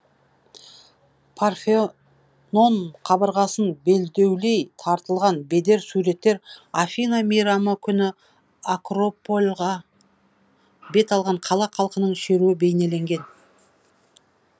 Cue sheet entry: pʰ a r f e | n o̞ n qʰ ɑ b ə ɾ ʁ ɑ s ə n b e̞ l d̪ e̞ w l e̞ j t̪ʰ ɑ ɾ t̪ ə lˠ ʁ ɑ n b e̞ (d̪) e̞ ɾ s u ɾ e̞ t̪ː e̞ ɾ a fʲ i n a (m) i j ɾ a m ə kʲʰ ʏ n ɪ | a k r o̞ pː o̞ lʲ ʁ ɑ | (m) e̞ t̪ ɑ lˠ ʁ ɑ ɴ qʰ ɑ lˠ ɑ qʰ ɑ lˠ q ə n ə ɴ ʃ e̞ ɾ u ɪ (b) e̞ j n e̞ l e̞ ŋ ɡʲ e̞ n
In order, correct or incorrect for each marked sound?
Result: correct, correct, incorrect: b, correct

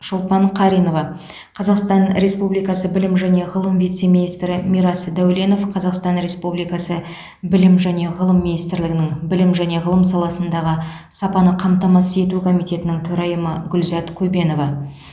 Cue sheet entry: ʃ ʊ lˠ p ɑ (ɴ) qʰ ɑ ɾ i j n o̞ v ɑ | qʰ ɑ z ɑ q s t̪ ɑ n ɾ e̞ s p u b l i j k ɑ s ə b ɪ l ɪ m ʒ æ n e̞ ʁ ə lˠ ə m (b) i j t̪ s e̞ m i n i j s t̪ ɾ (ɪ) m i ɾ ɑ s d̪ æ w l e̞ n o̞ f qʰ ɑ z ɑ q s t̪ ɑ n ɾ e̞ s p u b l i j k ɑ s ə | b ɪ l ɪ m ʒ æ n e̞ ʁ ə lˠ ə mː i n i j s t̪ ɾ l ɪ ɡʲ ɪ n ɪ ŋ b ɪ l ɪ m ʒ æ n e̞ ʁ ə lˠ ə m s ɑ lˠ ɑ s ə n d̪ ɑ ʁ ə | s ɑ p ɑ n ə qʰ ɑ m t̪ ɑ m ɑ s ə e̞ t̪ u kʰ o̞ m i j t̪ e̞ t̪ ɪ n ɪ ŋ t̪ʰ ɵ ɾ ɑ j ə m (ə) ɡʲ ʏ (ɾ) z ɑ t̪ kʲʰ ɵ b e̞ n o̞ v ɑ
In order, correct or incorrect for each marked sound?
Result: correct, incorrect: v, correct, correct, incorrect: l

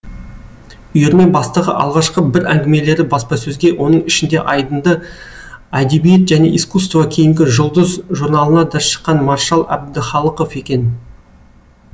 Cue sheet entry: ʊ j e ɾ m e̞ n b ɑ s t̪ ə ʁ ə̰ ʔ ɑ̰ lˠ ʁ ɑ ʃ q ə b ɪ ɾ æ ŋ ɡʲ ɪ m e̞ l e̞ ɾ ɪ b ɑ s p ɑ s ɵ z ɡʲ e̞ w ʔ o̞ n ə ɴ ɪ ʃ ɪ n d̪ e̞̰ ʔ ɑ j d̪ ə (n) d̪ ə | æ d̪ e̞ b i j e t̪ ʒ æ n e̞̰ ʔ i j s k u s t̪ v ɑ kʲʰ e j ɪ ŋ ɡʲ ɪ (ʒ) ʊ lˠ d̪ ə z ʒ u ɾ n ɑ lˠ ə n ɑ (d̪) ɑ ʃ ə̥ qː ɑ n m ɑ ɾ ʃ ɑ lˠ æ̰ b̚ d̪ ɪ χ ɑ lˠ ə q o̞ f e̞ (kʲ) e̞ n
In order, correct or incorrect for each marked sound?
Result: correct, correct, correct, correct

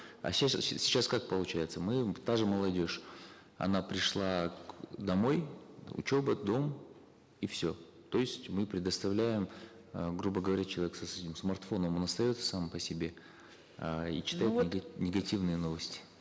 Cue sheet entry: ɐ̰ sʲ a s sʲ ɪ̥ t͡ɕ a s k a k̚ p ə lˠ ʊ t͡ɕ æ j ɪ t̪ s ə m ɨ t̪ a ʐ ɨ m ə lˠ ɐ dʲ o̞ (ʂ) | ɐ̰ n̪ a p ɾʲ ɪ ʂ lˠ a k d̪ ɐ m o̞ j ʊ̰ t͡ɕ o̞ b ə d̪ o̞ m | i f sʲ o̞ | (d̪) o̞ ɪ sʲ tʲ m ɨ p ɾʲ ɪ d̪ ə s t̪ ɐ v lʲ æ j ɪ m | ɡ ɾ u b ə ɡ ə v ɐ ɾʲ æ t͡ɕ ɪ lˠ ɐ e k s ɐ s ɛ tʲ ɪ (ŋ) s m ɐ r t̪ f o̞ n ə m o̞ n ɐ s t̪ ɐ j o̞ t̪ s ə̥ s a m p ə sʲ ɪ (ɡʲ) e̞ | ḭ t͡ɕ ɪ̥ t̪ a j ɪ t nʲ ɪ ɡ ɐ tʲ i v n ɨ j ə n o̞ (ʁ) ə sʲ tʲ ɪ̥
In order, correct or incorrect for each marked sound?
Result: correct, incorrect: t̪, incorrect: m, incorrect: bʲ, incorrect: v

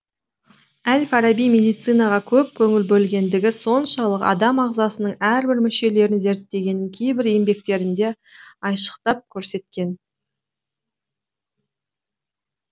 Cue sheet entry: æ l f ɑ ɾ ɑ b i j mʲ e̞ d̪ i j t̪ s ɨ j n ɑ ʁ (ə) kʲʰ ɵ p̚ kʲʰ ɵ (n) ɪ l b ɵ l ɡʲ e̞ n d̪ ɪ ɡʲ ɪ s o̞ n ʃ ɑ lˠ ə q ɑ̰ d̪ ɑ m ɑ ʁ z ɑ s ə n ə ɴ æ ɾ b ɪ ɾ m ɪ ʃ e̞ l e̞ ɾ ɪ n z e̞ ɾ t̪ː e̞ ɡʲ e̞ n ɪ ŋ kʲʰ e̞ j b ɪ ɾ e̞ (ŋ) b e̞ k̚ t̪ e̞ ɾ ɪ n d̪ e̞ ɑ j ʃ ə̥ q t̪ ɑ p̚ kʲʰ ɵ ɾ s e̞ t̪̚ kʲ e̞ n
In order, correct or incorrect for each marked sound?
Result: incorrect: ɑ, incorrect: ŋ, incorrect: m

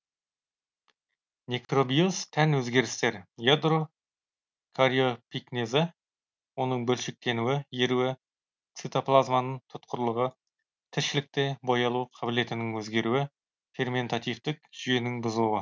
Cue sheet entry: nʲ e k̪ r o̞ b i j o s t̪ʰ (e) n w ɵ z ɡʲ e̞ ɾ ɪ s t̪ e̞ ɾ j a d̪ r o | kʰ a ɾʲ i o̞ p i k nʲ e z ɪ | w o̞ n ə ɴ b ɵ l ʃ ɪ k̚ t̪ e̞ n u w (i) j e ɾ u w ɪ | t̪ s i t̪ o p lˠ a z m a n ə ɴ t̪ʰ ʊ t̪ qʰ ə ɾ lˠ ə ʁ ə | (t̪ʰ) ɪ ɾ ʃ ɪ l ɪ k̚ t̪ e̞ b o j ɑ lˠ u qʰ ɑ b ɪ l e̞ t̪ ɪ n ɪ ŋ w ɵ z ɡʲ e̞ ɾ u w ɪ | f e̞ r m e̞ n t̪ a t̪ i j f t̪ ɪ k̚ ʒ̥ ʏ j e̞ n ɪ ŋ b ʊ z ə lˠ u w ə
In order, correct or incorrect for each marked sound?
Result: incorrect: æ, incorrect: ɪ, correct

